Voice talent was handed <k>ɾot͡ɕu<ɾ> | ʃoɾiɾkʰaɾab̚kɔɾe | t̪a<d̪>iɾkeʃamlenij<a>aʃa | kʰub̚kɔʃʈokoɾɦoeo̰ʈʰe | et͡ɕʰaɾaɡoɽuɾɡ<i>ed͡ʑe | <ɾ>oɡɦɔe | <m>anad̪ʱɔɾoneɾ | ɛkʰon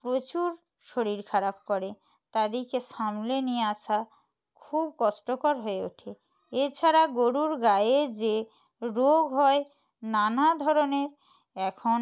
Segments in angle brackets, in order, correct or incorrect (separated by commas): incorrect, correct, correct, incorrect, incorrect, correct, incorrect